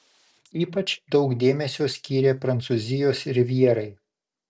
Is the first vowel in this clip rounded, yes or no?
no